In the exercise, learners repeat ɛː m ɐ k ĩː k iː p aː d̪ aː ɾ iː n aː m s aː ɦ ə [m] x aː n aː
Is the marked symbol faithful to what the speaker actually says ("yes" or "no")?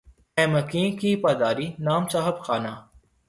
no